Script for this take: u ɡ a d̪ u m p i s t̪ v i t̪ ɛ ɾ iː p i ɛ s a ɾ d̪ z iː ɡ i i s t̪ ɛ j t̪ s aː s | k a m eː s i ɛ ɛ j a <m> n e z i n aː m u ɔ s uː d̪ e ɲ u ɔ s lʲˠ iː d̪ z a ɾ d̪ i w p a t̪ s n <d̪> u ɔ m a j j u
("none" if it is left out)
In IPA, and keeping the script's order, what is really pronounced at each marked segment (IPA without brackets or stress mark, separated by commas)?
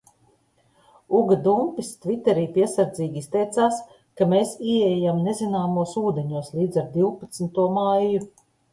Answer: m, t̪